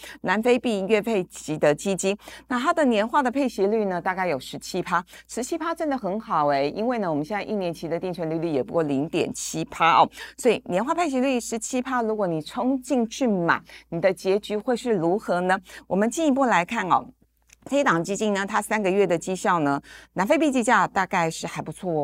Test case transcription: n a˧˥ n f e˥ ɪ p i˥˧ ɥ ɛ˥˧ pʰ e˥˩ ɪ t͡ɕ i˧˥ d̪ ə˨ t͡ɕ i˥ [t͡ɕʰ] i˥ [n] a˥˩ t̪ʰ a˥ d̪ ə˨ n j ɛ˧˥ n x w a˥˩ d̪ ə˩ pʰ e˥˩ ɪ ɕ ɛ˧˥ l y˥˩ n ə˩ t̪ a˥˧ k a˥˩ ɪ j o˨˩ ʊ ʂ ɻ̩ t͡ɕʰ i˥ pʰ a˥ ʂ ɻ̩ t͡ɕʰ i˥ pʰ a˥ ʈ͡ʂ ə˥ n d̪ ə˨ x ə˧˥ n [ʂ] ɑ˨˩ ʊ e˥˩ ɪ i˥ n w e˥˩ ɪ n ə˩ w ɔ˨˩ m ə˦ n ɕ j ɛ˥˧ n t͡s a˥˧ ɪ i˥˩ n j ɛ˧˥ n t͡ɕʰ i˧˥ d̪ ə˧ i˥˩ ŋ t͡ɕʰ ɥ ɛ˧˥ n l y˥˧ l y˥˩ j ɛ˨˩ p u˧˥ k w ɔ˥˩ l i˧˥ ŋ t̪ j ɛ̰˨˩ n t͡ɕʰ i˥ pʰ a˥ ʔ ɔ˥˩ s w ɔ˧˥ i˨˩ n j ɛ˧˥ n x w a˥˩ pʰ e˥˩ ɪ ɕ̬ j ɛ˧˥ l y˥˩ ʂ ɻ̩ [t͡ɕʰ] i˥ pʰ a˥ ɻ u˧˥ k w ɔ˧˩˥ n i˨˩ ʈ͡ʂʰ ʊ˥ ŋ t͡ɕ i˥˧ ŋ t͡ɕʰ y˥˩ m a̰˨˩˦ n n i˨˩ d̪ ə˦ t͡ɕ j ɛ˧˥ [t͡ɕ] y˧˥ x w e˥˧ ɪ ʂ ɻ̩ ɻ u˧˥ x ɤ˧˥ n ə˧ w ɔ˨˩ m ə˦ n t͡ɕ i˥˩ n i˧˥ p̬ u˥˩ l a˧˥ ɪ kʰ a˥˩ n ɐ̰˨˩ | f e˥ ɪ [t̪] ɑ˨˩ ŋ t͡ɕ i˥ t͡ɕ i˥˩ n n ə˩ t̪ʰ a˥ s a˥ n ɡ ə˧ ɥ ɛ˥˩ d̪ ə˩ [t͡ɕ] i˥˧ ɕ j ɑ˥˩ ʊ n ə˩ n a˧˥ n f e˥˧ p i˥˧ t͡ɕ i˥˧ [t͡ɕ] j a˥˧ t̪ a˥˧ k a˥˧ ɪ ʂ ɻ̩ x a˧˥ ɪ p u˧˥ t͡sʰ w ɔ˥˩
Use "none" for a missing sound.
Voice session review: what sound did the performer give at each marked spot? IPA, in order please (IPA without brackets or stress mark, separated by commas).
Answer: t͡ɕ, n, x, t͡ɕʰ, t͡ɕ, t̪, t͡ɕ, t͡ɕ